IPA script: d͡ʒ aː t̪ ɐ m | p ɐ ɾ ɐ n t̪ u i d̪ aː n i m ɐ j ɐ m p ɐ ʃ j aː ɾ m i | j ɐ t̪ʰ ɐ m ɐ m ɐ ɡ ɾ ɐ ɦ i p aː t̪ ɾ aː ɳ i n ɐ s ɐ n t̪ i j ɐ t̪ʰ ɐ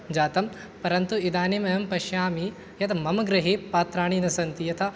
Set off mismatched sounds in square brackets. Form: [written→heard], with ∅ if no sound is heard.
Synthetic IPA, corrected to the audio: d͡ʒ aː t̪ ɐ m | p ɐ ɾ ɐ n t̪ u i d̪ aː n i m ɐ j ɐ m p ɐ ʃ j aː [ɾ→∅] m i | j ɐ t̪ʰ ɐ m ɐ m ɐ ɡ ɾ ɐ ɦ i p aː t̪ ɾ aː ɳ i n ɐ s ɐ n t̪ i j ɐ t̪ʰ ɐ